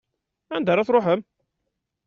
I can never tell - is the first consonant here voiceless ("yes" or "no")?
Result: no